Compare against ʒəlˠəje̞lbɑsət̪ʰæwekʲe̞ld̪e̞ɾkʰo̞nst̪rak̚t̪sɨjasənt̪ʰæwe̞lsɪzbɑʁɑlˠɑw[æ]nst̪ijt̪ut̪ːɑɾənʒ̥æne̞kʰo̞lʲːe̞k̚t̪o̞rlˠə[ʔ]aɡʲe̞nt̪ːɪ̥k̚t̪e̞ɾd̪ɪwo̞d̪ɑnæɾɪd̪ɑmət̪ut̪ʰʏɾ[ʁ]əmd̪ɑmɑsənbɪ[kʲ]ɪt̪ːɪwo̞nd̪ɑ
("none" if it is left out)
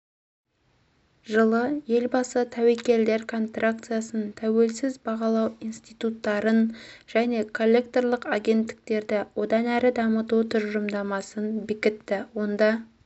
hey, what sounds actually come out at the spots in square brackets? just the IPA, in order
i, q, ʒ, kʲ

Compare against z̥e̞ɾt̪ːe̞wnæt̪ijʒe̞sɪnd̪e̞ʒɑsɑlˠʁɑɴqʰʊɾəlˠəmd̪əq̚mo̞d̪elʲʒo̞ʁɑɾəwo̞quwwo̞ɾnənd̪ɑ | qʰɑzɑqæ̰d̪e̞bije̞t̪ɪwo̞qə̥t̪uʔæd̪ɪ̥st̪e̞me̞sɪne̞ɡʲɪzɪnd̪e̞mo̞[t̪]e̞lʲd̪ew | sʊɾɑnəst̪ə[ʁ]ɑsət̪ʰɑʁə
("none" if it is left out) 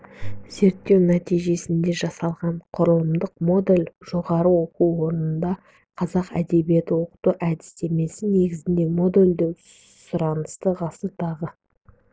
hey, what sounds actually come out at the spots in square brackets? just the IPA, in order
d̪, ʁ

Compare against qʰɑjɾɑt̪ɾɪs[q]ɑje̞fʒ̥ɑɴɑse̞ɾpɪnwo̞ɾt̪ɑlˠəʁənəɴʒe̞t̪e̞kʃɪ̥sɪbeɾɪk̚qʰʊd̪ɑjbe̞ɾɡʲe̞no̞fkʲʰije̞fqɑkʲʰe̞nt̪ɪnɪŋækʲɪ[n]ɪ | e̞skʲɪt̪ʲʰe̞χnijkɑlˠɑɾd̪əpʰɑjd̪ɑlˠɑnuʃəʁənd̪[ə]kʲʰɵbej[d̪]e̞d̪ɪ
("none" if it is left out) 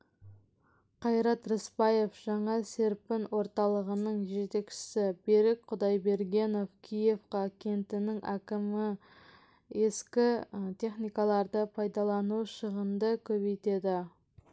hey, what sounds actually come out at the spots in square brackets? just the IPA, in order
p, m, ə, t̪

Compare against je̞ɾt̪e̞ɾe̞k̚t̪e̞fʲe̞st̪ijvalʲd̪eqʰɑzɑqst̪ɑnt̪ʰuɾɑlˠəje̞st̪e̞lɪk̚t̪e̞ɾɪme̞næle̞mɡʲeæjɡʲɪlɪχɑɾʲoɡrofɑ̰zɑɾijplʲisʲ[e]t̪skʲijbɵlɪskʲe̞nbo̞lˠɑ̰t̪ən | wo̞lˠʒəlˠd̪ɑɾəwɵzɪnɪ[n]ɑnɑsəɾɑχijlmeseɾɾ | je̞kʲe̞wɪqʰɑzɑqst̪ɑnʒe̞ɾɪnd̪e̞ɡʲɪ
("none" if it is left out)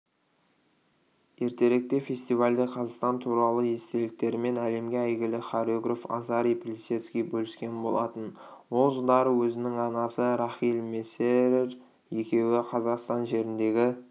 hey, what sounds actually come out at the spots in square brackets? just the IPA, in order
e, ŋ

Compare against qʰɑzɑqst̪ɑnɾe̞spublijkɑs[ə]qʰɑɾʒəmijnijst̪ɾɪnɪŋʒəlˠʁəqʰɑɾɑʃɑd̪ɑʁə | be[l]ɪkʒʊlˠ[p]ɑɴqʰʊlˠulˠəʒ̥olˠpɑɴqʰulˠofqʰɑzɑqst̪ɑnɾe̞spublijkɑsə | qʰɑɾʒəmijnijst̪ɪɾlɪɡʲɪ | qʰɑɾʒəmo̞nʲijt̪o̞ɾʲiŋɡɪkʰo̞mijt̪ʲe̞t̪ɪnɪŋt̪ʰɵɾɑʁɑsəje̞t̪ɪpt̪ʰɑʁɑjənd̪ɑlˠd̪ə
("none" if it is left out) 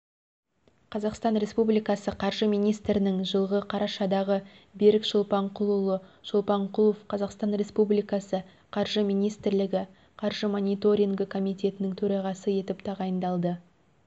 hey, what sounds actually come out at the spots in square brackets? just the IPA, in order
ə, ɾ, p

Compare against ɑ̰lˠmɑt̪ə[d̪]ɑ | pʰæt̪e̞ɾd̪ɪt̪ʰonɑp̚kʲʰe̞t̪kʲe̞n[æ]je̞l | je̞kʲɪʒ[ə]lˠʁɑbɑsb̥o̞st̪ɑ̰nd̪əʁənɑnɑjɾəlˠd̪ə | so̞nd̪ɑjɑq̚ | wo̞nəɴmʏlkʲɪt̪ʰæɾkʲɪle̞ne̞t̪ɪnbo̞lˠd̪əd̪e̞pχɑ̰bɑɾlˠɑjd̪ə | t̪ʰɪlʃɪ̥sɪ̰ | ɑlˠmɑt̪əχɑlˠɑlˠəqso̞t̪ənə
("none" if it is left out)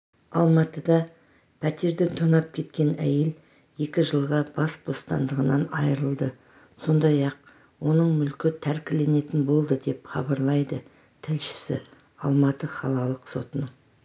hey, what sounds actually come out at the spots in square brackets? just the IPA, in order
d̪, æ, ə

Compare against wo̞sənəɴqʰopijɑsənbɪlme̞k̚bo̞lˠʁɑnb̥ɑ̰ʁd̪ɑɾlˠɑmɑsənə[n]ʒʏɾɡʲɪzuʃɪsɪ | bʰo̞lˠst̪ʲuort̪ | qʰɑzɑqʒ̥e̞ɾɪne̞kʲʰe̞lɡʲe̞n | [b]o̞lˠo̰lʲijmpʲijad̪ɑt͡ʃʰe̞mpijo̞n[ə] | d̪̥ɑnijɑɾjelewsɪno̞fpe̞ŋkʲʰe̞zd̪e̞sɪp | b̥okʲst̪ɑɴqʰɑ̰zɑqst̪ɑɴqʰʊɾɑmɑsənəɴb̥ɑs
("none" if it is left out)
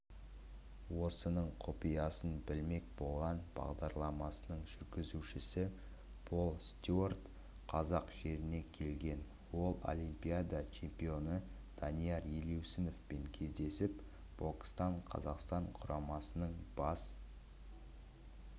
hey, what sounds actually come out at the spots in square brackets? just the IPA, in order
ɴ, w, ə

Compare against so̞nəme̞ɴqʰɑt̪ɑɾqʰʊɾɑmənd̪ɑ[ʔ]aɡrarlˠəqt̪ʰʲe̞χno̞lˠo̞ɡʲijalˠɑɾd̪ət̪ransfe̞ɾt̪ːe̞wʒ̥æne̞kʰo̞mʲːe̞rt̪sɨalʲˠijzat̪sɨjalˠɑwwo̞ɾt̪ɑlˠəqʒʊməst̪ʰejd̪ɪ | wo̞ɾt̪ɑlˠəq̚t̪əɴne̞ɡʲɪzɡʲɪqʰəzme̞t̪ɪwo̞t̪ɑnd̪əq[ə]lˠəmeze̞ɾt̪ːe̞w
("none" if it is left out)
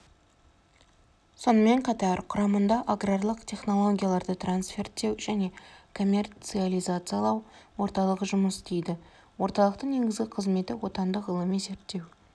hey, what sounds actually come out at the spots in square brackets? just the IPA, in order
ʔ, ə

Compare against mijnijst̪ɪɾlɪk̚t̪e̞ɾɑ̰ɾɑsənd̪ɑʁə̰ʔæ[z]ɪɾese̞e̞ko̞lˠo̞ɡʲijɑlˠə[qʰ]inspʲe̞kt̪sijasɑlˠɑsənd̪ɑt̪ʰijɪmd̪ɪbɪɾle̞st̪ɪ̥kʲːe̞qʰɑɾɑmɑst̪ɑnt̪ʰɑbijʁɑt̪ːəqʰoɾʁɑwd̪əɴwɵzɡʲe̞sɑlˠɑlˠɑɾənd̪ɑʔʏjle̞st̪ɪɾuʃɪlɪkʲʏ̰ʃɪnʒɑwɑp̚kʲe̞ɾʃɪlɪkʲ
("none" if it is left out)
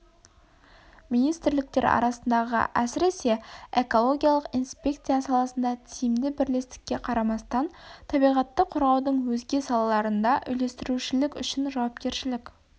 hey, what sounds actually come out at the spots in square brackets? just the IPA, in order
s, q

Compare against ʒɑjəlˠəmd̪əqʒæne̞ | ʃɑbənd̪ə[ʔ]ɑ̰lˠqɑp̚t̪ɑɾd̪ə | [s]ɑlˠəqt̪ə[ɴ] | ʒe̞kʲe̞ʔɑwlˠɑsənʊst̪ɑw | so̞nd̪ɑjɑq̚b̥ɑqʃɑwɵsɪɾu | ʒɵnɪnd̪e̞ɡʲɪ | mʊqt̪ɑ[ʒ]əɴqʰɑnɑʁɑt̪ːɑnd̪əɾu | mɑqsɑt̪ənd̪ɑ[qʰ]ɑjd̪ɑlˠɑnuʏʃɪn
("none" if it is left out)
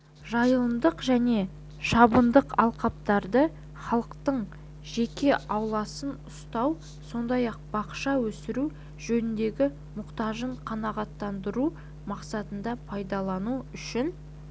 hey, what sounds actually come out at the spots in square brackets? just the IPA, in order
q, χ, ɴ, ʒ, pʰ

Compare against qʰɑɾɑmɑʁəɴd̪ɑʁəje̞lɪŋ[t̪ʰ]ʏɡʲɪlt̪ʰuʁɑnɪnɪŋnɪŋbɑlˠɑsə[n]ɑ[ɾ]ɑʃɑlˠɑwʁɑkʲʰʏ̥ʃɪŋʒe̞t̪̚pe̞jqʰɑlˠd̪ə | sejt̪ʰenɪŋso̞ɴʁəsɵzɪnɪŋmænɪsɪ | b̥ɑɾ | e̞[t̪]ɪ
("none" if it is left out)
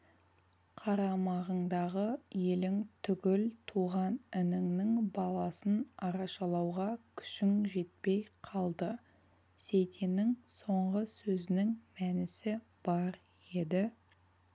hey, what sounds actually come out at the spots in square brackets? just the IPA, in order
t̪ʰ, n, ɾ, d̪

